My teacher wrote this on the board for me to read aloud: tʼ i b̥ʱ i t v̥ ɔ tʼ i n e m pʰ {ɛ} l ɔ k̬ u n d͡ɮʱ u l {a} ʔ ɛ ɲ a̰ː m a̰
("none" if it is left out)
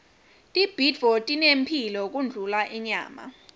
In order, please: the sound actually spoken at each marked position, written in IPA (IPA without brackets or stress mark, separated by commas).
i, a